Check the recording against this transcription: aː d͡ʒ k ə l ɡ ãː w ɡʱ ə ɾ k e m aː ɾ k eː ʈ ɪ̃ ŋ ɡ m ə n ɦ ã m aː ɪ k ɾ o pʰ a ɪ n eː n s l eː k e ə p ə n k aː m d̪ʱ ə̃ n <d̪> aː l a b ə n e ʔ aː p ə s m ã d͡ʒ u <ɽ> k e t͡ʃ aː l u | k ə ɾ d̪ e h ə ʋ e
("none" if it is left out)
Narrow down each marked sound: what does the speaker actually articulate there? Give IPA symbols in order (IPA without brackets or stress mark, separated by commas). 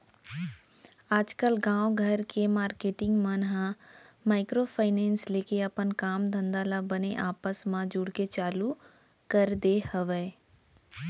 d̪, ɽ